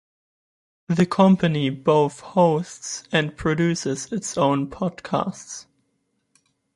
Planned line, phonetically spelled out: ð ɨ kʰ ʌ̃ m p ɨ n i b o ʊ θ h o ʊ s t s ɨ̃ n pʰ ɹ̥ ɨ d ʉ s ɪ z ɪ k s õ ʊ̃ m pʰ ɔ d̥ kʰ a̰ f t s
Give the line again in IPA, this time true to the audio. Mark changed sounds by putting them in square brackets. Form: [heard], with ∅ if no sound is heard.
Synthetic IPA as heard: ð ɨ kʰ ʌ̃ m p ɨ n i b o ʊ θ h o ʊ s t s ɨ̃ n pʰ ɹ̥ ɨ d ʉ s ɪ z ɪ [t] s õ ʊ̃ [n] pʰ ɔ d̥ kʰ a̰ [s] t s